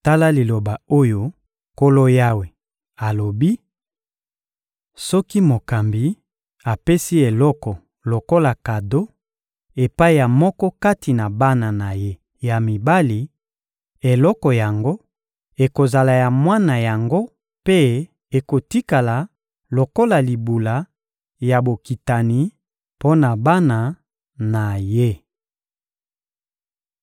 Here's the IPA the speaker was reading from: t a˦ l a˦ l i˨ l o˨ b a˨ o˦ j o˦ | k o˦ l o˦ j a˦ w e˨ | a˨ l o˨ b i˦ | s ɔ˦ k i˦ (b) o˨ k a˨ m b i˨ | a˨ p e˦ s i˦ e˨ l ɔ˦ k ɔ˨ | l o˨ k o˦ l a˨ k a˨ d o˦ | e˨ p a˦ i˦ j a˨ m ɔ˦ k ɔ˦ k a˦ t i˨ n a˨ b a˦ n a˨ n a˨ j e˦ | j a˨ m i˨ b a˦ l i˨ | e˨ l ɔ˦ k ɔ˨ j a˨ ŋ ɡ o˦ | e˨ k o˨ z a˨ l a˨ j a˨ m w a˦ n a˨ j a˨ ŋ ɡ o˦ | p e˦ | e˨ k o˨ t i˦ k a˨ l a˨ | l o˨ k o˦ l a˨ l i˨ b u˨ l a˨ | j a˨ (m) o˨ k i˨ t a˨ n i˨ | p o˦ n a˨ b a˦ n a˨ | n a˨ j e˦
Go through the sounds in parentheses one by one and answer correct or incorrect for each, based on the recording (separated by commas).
incorrect, incorrect